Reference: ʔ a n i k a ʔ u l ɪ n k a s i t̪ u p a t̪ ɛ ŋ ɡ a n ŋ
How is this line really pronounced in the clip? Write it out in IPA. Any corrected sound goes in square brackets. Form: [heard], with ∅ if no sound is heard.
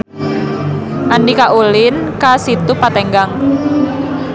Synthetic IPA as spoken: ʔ a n i k a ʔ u l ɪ n k a s i t̪ u p a t̪ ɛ ŋ ɡ a [∅] ŋ